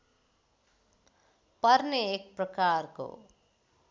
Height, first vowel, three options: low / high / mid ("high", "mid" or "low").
mid